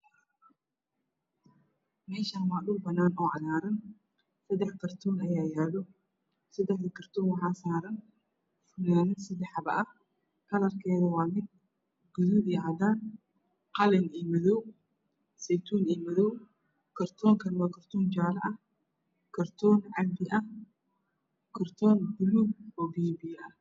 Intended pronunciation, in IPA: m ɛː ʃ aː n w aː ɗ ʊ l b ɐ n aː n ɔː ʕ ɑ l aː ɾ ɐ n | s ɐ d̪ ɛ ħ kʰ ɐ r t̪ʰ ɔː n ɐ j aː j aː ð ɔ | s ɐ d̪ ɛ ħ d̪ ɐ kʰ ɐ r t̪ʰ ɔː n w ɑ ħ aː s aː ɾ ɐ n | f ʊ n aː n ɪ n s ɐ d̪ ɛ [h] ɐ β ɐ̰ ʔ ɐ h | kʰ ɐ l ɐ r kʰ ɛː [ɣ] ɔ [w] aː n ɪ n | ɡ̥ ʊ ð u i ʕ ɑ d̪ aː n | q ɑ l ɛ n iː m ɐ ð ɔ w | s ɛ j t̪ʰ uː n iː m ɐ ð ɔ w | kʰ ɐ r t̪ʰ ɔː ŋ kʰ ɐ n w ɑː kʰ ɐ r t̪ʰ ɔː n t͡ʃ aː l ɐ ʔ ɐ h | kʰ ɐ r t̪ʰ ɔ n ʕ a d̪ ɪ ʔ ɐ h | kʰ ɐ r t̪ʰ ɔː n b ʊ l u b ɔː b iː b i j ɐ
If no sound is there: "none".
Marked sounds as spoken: ħ, ð, w

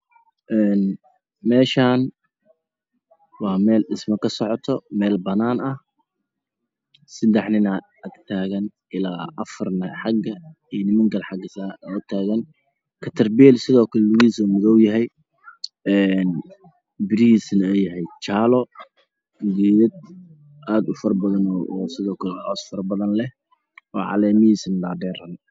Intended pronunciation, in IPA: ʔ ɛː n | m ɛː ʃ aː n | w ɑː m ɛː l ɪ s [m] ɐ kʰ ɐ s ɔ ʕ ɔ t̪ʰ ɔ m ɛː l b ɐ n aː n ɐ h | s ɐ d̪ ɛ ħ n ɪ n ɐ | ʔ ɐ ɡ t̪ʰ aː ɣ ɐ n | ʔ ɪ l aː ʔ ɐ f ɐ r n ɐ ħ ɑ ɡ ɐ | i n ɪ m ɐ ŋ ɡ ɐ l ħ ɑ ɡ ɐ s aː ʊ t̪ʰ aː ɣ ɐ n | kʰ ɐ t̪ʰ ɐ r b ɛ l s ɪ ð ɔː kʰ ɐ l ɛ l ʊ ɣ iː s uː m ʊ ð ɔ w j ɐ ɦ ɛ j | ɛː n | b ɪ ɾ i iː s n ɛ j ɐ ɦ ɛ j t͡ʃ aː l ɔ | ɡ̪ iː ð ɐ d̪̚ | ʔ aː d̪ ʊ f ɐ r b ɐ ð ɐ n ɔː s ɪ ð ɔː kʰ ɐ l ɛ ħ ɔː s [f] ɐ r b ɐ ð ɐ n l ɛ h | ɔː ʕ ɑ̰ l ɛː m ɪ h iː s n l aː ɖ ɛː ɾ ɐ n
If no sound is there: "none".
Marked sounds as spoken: m, f

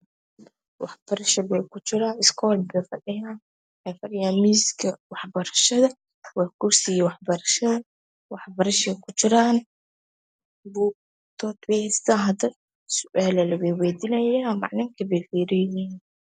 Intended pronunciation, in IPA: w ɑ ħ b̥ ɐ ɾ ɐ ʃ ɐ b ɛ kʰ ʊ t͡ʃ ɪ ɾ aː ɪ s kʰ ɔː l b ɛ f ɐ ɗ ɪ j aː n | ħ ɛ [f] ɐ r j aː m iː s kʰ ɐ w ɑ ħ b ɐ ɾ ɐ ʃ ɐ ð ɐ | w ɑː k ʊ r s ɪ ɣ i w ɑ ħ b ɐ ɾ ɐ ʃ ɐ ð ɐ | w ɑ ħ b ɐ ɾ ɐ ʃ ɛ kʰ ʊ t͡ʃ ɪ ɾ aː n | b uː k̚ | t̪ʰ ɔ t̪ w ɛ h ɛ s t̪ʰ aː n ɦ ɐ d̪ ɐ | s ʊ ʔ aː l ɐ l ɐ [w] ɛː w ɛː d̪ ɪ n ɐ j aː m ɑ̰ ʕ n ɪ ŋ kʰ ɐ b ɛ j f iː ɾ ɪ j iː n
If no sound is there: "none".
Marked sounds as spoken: f, w

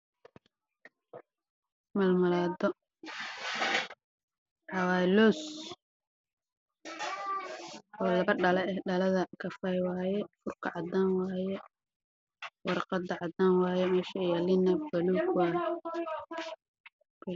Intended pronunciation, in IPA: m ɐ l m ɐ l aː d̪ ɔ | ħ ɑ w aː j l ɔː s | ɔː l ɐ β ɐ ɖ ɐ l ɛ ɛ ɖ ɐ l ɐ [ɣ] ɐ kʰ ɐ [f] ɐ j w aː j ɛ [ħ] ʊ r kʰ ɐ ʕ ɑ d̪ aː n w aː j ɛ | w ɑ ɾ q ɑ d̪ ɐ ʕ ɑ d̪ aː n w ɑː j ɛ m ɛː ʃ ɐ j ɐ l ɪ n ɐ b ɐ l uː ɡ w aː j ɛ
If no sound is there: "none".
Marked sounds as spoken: ð, f, f

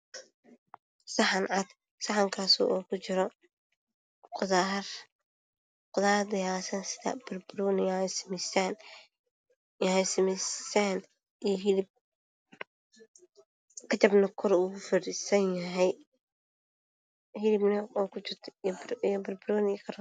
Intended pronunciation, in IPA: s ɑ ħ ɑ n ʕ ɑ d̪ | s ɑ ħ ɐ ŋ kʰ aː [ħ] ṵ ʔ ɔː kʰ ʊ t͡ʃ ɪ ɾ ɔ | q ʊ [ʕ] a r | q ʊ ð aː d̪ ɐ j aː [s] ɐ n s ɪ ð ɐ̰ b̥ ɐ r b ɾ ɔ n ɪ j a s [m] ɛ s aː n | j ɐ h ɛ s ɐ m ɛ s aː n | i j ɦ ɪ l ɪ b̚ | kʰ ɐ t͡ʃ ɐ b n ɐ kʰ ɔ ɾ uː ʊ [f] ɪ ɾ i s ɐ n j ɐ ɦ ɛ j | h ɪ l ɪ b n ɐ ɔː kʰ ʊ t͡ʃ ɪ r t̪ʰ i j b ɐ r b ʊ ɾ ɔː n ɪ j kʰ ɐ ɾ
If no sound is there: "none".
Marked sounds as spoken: s, ð, s, m, f

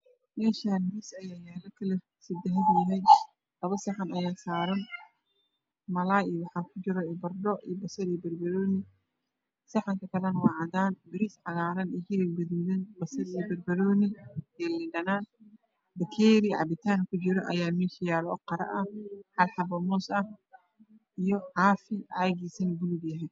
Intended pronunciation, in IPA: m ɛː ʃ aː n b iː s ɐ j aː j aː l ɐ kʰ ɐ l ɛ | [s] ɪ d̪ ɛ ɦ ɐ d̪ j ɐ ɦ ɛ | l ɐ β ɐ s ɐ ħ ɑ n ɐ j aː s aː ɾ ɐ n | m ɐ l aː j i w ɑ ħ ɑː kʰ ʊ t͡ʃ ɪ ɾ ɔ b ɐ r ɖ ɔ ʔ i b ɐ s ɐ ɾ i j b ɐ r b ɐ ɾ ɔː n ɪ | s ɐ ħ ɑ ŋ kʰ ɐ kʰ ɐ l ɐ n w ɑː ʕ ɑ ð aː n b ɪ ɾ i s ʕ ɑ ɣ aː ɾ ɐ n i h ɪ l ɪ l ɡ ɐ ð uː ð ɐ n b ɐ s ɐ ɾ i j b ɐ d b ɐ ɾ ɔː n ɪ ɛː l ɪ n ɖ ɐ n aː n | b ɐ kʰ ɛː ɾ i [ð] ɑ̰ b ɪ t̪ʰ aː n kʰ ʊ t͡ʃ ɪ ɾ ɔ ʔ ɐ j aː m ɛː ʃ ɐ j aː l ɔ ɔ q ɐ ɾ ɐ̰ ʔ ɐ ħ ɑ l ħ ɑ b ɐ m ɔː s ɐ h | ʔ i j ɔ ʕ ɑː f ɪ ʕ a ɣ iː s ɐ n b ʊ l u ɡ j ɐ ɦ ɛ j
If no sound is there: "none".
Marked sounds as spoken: s, ʕ

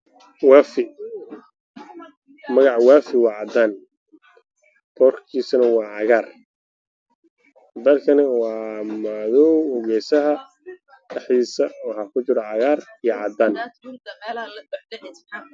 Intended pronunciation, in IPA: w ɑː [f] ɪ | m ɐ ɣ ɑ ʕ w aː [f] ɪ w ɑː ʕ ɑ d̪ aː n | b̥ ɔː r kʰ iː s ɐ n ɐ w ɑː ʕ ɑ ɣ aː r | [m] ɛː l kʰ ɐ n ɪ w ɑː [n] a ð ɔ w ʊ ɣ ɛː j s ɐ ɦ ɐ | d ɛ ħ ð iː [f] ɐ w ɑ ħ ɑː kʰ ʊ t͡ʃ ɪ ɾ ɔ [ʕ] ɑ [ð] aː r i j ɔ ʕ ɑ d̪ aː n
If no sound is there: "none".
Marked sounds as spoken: f, f, b, m, s, ʕ, ɣ

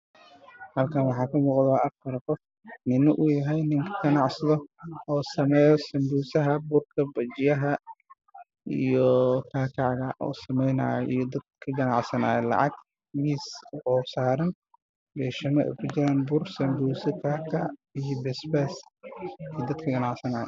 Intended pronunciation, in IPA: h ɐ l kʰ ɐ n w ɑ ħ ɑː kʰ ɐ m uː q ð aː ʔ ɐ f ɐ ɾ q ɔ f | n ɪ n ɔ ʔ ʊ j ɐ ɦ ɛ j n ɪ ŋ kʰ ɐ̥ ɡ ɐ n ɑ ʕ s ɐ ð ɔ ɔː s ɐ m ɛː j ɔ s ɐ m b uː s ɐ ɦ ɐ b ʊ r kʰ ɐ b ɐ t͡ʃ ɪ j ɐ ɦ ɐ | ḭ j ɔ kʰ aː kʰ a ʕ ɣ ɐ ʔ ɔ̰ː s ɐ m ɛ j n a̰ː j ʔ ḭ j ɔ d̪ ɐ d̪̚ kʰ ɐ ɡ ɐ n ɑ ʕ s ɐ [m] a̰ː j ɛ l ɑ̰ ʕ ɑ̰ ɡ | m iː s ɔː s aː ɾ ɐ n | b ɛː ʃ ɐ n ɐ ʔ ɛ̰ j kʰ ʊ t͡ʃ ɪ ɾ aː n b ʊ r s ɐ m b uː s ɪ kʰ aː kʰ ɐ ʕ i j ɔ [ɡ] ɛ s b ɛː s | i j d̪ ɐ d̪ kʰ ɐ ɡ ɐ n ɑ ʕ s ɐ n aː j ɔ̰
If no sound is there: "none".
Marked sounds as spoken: n, b

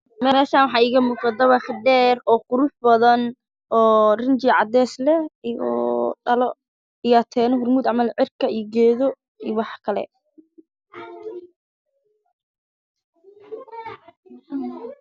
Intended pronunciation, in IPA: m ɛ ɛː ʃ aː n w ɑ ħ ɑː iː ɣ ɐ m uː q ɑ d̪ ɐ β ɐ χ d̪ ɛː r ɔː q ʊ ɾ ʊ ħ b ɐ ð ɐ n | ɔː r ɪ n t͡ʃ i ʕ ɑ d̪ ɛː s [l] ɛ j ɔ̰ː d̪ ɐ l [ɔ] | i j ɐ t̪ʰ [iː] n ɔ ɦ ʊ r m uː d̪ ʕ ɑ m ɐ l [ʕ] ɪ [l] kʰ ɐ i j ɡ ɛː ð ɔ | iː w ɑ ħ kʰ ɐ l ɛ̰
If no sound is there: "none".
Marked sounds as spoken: l, ɔ, ɛː, ʕ, r

